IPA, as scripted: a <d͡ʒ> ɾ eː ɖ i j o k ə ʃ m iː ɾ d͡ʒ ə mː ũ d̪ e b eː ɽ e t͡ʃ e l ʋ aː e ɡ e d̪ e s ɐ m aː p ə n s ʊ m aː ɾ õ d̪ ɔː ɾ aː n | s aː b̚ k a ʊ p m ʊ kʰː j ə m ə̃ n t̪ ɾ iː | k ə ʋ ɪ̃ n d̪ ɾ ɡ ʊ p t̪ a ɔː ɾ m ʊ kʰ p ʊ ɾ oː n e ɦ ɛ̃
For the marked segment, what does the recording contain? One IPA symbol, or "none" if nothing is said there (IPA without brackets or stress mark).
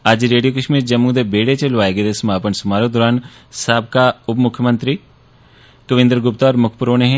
d͡ʒ